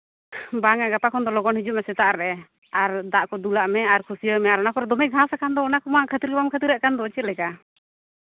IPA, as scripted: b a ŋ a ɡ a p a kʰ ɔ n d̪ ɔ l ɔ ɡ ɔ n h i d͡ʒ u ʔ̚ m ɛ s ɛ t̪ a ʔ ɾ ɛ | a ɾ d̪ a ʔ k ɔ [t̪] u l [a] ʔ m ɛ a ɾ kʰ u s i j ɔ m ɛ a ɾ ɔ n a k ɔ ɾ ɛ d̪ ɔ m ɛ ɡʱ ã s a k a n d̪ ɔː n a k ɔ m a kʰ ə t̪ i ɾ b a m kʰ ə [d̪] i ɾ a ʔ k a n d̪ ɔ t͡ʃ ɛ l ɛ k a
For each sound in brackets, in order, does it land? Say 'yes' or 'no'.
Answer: no, yes, no

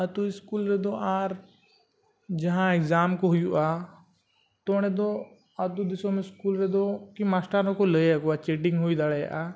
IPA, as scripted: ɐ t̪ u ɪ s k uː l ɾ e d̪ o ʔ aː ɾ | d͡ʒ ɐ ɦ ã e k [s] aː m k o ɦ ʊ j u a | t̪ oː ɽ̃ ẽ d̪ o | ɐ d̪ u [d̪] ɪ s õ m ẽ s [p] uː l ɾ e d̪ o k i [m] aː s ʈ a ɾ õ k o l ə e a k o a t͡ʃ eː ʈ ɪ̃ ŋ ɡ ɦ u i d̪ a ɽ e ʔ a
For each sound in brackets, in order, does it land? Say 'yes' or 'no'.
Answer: no, yes, no, yes

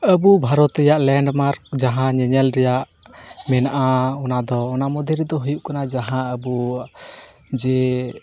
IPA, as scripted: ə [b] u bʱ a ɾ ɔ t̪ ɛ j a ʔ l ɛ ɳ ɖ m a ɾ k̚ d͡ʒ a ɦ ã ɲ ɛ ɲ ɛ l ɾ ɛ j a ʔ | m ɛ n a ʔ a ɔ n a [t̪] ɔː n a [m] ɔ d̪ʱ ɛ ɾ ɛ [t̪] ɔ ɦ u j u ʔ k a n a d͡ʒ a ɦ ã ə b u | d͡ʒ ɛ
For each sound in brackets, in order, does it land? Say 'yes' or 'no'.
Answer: yes, no, yes, no

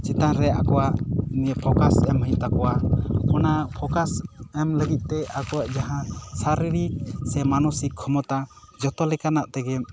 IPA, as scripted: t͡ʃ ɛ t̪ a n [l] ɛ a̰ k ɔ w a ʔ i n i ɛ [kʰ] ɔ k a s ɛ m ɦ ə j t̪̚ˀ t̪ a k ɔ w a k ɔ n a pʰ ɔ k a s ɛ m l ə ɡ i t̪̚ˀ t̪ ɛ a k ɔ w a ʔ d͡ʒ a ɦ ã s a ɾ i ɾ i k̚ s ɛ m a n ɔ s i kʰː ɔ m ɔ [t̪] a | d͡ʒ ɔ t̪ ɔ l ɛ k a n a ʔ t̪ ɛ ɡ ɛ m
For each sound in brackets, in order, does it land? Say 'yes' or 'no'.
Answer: no, no, yes

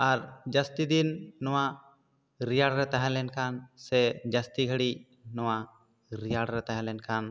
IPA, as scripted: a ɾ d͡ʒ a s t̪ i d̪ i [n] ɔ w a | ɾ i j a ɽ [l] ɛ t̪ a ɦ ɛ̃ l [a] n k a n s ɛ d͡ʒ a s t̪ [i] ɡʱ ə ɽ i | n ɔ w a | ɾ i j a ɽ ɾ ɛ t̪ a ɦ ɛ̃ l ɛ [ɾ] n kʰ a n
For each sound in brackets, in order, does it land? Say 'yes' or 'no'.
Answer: no, no, no, yes, no

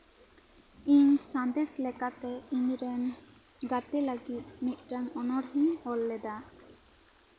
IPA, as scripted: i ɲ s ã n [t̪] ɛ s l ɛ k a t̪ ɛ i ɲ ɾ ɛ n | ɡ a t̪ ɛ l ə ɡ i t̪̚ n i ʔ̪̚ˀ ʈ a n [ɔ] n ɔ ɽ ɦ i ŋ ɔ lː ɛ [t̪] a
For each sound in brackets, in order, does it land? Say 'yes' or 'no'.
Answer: no, yes, no

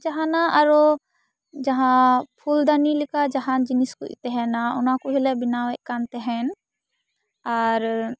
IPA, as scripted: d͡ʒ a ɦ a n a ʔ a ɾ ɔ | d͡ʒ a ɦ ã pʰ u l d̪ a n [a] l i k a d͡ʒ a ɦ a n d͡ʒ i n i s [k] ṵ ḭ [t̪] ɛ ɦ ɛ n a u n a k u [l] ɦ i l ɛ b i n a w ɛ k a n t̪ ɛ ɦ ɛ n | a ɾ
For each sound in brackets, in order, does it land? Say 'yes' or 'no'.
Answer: no, yes, yes, no

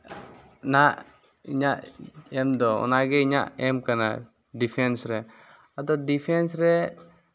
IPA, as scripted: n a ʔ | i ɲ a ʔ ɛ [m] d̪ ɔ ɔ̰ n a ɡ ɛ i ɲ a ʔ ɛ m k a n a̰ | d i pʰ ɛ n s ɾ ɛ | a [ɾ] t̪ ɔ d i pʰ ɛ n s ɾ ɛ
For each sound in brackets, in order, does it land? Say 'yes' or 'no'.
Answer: yes, no

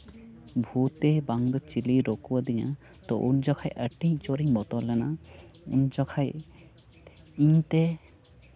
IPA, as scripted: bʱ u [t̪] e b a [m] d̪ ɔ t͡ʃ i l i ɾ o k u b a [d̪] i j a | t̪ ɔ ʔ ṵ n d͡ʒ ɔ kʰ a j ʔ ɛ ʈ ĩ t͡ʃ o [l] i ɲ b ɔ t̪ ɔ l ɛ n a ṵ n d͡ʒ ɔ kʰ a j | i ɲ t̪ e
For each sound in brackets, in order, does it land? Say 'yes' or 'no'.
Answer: yes, no, yes, no

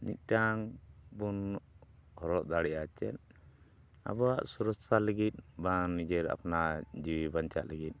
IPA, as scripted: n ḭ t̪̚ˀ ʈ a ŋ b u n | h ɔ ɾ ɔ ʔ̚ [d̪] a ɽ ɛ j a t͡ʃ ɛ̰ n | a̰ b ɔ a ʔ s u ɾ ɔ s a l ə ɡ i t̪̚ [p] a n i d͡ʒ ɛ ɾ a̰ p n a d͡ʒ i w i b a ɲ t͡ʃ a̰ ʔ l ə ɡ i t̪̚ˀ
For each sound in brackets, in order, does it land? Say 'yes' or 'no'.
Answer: yes, no

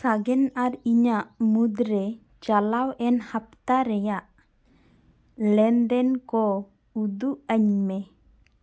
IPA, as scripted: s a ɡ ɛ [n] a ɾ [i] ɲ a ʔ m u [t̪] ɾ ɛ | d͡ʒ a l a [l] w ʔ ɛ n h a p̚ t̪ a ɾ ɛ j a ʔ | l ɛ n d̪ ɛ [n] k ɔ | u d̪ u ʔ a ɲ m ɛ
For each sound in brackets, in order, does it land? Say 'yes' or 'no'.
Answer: yes, yes, no, no, yes

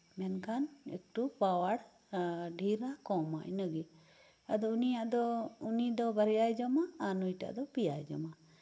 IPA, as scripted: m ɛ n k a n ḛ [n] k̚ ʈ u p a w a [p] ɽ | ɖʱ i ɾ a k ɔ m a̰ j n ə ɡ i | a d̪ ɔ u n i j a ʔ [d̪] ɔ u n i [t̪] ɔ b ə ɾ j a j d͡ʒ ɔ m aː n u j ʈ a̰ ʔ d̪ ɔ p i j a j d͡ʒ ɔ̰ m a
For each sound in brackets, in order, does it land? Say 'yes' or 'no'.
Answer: no, no, yes, no

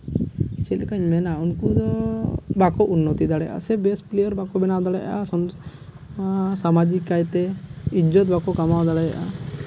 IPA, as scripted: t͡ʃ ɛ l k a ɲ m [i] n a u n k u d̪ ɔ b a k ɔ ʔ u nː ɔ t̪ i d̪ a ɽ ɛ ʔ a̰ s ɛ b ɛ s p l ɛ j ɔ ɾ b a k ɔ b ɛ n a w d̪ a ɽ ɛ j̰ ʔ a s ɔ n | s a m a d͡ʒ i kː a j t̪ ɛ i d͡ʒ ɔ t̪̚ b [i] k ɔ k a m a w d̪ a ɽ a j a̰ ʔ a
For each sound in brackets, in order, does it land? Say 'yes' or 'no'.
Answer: no, no

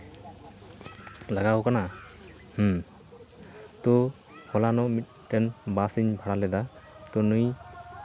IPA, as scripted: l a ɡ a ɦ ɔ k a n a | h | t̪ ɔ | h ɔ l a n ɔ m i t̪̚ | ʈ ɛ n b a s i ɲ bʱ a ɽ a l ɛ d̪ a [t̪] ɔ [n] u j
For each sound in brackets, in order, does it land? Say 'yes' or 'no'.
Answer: yes, yes

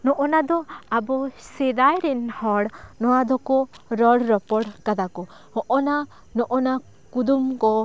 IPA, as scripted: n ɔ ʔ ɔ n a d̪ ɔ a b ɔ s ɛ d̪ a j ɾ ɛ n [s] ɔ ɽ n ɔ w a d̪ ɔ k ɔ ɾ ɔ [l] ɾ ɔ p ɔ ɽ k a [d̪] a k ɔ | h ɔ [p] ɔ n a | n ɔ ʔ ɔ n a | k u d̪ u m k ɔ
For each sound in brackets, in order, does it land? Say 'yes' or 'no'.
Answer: no, no, yes, no

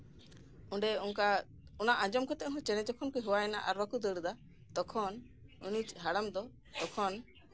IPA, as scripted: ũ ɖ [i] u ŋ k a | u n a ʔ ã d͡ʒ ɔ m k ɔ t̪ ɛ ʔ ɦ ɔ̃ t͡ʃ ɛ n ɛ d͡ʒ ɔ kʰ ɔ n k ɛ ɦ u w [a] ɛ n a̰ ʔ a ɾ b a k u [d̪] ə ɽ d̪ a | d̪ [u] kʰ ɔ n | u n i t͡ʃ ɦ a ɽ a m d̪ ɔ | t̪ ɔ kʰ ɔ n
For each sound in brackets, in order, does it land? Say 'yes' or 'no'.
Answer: no, yes, yes, no

